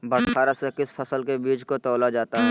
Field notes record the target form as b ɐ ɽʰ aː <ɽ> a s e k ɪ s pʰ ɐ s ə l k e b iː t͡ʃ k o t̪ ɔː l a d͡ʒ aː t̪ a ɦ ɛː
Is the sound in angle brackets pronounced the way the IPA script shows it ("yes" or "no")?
no